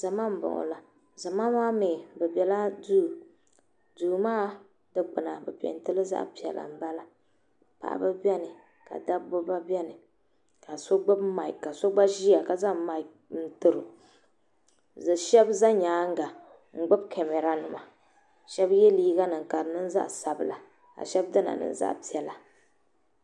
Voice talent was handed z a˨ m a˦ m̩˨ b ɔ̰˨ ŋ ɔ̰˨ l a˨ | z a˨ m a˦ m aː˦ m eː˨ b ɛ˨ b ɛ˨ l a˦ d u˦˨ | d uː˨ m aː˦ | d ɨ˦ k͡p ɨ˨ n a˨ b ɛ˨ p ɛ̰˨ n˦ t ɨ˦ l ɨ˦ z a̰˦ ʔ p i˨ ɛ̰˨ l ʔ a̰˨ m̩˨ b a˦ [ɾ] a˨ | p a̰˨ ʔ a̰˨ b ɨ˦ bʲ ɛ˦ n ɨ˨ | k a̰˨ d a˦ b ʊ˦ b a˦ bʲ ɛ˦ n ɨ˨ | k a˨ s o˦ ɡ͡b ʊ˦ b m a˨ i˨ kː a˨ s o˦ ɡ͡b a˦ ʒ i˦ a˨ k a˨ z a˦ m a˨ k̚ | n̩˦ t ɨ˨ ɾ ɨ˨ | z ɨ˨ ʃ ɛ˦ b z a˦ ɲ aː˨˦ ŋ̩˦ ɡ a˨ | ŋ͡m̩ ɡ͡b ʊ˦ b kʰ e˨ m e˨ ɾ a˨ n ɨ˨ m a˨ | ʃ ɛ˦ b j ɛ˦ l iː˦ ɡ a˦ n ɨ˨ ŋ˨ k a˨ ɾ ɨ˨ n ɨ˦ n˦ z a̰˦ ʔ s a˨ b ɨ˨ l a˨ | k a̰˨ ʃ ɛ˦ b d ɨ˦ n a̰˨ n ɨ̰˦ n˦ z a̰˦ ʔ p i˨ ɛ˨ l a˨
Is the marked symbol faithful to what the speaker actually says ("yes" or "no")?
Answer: no